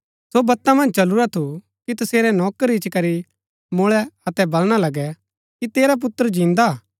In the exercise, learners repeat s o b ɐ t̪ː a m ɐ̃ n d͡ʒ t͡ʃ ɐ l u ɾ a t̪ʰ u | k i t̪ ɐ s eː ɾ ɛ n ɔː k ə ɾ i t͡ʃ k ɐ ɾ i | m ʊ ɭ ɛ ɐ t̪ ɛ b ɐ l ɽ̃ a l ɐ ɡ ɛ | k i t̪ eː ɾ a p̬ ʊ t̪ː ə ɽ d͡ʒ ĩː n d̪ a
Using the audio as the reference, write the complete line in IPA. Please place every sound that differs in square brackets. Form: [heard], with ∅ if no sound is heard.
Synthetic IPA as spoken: s o b ɐ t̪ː a m ɐ̃ n d͡ʒ t͡ʃ ɐ l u ɾ a t̪ʰ u | k i t̪ ɐ s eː ɾ ɛ n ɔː k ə ɾ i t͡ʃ k ɐ ɾ i | m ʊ ɭ ɛ ɐ t̪ ɛ b ɐ l ɽ̃ a l ɐ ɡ ɛ | k i t̪ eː ɾ a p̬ ʊ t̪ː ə [ɾ] d͡ʒ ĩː n d̪ a